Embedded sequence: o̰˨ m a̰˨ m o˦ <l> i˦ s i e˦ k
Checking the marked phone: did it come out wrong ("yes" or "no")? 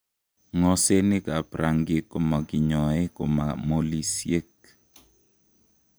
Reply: no